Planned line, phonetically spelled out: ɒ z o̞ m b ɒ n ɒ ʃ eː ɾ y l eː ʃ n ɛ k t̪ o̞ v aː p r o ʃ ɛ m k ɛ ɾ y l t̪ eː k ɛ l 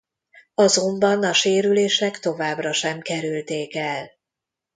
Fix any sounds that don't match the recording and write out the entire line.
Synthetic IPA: ɒ z o̞ m b ɒ n ɒ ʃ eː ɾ y l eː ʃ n ɛ k t̪ o̞ v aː b r ɒ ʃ ɛ m k ɛ ɾ y l t̪ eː k ɛ l